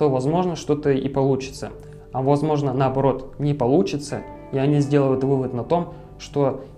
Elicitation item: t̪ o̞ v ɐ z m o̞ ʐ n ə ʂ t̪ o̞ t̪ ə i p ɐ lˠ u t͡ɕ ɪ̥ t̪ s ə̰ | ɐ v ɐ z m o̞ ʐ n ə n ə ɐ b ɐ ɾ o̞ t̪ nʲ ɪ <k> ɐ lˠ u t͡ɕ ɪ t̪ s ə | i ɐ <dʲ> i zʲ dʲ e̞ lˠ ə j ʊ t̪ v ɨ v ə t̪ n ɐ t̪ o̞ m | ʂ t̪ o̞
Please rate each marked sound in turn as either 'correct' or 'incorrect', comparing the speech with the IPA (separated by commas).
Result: incorrect, incorrect